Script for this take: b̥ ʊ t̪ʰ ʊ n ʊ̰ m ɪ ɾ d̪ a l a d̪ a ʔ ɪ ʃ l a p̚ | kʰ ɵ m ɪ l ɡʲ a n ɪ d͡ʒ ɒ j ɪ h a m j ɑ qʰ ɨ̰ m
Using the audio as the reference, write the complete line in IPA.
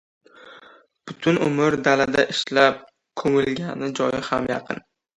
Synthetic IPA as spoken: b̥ ʊ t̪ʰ ʊ n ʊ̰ m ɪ ɾ d̪ a l a d̪ a ʔ ɪ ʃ l a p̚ | kʰ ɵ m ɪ l ɡʲ a n ɪ d͡ʒ ɒ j ɪ h a m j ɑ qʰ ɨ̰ n